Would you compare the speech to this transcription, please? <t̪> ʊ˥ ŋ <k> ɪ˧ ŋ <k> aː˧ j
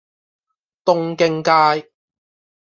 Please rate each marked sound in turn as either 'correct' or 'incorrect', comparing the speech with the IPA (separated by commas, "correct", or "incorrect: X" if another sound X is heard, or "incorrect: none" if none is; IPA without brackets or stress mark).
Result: correct, correct, correct